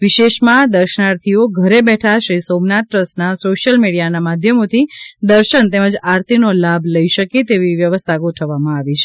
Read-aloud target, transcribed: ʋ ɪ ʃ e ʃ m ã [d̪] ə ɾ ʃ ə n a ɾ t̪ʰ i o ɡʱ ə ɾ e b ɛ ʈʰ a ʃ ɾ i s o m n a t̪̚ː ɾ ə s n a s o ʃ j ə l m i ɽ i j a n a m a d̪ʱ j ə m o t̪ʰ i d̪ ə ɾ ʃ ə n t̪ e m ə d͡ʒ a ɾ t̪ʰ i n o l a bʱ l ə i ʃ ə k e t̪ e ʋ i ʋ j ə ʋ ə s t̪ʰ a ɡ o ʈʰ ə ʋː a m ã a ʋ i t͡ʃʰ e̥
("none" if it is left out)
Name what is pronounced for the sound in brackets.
d̪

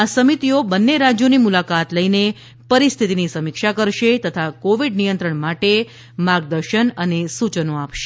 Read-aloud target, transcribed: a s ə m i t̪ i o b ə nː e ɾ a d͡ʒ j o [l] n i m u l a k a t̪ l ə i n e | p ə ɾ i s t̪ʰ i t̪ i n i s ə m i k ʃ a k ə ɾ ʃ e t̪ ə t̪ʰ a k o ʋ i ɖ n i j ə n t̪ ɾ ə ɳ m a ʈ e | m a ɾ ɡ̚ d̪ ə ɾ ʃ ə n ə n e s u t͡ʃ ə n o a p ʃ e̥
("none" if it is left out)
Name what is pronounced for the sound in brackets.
none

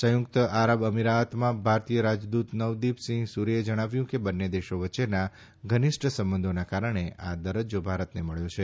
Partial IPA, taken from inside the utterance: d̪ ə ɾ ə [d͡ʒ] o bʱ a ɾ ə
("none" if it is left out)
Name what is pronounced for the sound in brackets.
d͡ʒ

